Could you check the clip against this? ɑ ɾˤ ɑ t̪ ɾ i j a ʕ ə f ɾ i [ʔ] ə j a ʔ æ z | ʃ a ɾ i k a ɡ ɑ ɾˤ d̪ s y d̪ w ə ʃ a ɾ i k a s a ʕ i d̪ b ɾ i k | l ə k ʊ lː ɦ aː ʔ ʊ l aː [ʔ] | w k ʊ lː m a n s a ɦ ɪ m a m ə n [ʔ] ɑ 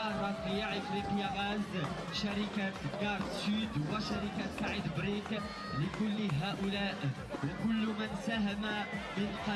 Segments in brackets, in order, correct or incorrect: incorrect: q, correct, incorrect: q

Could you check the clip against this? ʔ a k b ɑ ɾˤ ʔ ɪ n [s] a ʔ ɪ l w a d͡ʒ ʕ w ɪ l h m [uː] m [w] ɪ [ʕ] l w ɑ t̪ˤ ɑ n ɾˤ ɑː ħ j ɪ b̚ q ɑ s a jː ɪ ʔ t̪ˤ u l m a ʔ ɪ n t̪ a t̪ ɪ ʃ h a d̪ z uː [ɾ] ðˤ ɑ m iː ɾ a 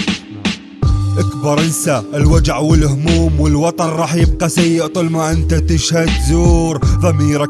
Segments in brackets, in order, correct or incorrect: correct, correct, correct, incorrect: none, correct

